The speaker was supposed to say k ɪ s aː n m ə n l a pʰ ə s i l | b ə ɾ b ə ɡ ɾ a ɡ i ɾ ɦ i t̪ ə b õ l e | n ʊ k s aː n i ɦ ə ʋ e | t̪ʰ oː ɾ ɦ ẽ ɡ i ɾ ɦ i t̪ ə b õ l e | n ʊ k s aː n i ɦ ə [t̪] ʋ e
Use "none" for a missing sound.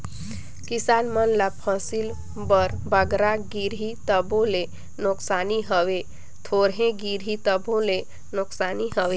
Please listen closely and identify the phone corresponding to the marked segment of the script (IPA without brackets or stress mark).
none